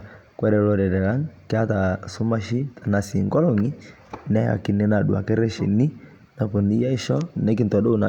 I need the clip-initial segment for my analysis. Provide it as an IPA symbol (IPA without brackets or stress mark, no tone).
k